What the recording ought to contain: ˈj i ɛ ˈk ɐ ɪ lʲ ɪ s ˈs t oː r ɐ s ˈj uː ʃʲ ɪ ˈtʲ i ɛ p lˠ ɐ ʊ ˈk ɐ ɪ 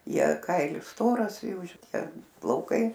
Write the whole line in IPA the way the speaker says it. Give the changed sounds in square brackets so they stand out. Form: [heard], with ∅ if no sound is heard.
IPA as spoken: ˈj i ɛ ˈk ɐ ɪ lʲ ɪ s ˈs t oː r ɐ s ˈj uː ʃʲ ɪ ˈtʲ i ɛ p lˠ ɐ ʊ ˈk ɐ ɪ